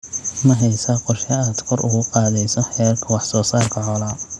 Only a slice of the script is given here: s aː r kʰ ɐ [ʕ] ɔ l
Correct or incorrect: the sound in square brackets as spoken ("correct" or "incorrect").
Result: correct